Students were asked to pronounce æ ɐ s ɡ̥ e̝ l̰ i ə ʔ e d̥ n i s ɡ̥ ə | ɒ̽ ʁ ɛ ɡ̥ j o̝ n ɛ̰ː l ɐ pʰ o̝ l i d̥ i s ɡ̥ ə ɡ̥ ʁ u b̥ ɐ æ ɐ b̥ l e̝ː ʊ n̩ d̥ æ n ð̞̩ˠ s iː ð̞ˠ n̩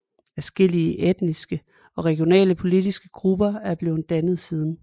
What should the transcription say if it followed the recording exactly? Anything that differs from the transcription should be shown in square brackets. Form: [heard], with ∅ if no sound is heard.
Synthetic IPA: æ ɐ s ɡ̥ e̝ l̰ i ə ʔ e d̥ n i s ɡ̥ ə | ɒ̽ ʁ ɛ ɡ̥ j o̝ n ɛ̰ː l [ə] pʰ o̝ l i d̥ i s ɡ̥ ə ɡ̥ ʁ u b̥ ɐ æ ɐ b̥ l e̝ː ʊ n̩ d̥ æ n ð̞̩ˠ s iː ð̞ˠ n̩